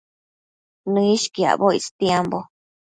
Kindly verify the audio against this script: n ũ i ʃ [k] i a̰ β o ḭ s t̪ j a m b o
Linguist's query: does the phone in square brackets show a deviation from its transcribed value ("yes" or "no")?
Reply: no